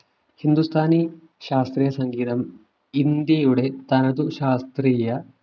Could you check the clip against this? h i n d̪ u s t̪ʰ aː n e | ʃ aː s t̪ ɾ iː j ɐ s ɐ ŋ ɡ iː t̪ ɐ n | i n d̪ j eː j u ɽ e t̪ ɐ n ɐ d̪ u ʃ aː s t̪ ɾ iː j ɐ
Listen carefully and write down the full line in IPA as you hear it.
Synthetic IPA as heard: h i n d̪ u s t̪ʰ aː n i | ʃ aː s t̪ ɾ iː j ɐ s ɐ ŋ ɡ iː t̪ ɐ m | i n d̪ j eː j u ɽ e t̪ ɐ n ɐ d̪ u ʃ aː s t̪ ɾ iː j ɐ

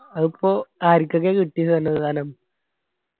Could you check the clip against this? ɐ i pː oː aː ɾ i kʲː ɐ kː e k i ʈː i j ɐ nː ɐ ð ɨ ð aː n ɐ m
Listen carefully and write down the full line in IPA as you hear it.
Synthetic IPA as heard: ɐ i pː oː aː ɾ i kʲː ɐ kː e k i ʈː i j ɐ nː ɐ ð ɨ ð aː n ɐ m

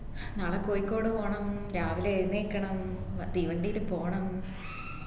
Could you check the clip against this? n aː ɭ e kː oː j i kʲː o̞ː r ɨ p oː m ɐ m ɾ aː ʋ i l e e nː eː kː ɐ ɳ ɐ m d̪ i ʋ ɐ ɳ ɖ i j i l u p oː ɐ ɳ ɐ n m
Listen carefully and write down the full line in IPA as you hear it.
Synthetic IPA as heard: n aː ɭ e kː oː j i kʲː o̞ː ɽ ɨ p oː ɳ ɐ m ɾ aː ʋ i l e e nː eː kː ɐ ɳ ɐ m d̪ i ʋ ɐ ɳ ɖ i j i l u p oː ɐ ɳ ɐ m

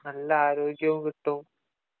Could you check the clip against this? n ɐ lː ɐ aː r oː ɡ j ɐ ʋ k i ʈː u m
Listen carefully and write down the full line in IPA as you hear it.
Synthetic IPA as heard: n ɐ lː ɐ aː ɾ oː ɡ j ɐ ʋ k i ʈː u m

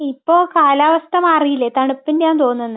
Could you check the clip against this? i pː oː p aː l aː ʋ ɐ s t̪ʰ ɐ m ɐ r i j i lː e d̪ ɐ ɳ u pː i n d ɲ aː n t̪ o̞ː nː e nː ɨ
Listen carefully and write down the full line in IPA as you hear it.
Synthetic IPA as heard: i pː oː k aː l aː ʋ ɐ s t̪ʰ ɐ m ɐ r i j i lː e t̪ ɐ ɳ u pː i n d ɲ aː n t̪ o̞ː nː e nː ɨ

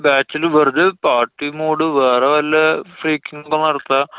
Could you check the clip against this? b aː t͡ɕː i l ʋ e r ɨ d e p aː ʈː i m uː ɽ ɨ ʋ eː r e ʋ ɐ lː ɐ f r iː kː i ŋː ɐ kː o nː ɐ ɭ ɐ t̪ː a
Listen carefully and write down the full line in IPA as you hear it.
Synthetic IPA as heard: b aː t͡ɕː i l ʋ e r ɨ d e p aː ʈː i m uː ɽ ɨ ʋ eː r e ʋ ɐ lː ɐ f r iː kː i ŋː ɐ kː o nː ɐ ɽ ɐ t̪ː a

